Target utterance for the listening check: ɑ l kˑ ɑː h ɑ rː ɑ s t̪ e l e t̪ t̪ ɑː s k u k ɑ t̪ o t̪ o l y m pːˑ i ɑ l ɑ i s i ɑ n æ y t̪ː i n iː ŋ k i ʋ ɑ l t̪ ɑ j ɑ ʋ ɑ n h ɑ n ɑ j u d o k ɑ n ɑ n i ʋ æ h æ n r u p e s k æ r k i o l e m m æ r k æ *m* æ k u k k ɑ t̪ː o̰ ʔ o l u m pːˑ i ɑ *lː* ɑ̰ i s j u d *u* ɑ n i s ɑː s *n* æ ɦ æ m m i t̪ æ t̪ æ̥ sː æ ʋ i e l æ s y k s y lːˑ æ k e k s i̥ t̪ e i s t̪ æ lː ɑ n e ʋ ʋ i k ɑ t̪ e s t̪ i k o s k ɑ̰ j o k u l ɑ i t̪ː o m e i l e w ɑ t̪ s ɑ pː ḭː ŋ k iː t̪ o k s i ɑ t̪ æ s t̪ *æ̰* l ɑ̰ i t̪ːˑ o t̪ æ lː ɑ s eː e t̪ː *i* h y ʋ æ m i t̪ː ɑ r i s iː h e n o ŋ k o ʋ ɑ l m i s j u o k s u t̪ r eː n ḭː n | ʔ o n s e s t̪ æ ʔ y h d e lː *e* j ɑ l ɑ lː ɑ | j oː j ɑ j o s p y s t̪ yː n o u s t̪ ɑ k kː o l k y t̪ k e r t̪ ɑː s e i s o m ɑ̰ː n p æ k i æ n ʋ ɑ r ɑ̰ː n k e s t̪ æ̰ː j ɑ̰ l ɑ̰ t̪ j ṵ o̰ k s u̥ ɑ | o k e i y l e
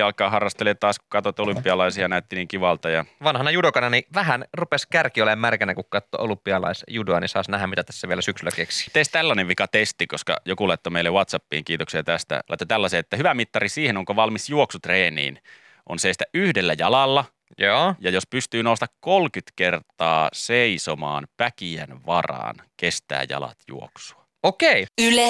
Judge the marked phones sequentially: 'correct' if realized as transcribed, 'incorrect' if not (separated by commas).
incorrect, incorrect, incorrect, correct, correct, incorrect, incorrect